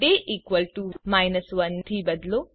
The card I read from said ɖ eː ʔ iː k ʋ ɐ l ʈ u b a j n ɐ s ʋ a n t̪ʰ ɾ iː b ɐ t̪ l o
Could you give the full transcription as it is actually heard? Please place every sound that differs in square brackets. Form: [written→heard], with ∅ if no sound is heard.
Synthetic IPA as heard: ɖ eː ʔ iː k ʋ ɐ l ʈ u [b→m] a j n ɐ s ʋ [a→ɐ] n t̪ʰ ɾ iː b ɐ [t̪→d̪] l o